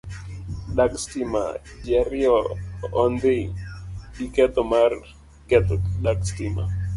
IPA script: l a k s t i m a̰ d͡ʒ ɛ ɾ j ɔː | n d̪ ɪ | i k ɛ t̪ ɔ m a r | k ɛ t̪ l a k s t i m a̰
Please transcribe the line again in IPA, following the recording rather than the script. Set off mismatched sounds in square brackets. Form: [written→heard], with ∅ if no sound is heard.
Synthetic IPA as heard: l a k s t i m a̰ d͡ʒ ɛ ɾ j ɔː | n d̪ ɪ | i k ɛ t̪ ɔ m a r | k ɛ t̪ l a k s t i m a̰